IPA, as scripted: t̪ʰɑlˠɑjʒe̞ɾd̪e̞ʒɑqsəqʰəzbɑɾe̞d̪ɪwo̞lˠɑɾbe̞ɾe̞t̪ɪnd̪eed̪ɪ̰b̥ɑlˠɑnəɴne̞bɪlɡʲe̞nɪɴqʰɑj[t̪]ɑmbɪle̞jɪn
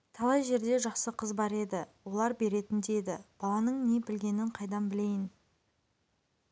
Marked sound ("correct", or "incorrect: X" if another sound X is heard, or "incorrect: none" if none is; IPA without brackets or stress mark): incorrect: d̪